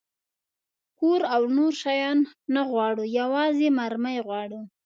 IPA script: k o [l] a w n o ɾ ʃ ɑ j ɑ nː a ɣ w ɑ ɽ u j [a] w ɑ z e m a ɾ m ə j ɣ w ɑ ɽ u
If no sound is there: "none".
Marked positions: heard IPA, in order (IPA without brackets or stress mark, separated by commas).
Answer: ɾ, a